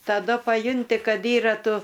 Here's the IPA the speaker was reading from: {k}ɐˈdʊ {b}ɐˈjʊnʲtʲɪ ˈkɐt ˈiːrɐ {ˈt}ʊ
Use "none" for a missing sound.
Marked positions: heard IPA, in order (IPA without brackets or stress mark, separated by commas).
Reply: t, p, t